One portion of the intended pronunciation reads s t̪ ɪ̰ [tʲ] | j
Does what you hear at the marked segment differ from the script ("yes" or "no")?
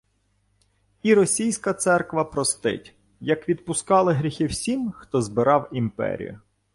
no